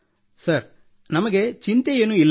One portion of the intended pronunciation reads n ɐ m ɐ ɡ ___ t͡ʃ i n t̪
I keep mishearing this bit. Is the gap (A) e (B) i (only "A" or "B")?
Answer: A